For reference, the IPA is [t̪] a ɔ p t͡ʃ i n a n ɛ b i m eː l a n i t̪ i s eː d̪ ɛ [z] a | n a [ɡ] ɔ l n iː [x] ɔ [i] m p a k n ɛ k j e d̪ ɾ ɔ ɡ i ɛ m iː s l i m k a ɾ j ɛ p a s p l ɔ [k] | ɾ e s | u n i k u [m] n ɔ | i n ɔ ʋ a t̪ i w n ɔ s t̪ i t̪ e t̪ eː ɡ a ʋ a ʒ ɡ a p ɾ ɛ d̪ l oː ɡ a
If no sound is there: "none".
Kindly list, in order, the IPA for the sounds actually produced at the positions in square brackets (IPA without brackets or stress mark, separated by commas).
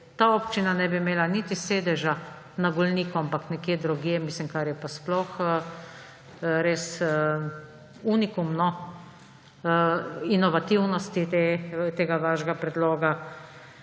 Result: t̪, ʒ, ɡ, k, a, x, m